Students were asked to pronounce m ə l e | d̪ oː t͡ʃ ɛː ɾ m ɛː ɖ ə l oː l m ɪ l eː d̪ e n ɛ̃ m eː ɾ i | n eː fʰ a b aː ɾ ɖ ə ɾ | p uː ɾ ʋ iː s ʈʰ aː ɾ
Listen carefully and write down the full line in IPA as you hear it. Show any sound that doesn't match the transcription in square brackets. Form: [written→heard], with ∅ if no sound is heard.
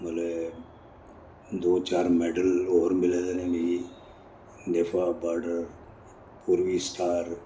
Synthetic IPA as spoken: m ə l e | d̪ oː t͡ʃ [ɛː→aː] ɾ m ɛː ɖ ə l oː [l→ɾ] m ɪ l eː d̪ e n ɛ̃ m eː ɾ i | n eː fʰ a b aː ɾ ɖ ə ɾ | p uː ɾ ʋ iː s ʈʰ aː ɾ

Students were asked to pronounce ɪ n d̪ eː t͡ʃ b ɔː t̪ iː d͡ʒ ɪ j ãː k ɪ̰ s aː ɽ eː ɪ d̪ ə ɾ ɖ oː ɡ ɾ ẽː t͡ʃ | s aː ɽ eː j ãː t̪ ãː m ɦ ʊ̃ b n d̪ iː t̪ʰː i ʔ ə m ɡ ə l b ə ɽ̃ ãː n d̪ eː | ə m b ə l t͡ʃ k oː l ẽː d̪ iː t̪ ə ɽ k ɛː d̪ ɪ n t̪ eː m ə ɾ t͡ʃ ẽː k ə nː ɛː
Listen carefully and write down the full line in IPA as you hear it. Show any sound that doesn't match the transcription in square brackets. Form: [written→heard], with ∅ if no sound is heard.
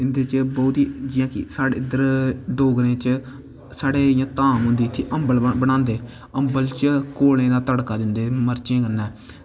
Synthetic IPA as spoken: ɪ n d̪ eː t͡ʃ b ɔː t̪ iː d͡ʒ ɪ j ãː k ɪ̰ s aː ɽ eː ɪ d̪ ə ɾ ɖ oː ɡ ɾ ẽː t͡ʃ | s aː ɽ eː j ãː t̪ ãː m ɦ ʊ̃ [b→∅] n d̪ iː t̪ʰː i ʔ ə m [ɡ→b] ə l b ə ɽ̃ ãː n d̪ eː | ə m b ə l t͡ʃ k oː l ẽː d̪ [iː→aː] t̪ ə ɽ k [ɛː→aː] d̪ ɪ n [t̪→d̪] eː m ə ɾ t͡ʃ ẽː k ə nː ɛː

